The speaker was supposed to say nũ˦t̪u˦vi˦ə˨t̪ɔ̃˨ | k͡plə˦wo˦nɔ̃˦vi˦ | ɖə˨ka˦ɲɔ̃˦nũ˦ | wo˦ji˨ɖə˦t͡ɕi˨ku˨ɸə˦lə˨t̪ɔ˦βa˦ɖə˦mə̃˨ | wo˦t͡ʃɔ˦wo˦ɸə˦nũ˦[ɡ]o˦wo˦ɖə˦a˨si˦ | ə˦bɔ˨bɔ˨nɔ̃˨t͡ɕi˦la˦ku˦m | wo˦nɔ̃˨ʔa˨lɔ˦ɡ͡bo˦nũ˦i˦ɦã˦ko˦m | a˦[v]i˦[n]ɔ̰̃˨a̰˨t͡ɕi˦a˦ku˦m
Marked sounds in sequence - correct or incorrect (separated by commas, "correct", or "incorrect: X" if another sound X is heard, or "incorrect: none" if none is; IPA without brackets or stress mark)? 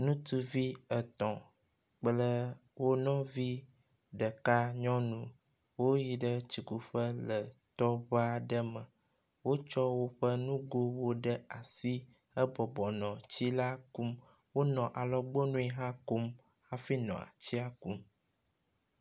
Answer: correct, incorrect: f, correct